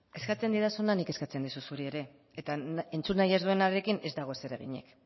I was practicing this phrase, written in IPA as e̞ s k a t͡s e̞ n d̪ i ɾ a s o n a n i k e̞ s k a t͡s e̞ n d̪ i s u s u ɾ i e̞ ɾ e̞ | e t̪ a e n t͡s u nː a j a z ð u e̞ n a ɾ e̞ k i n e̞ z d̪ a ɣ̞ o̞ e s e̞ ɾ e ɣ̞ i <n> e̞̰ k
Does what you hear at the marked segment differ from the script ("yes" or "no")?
yes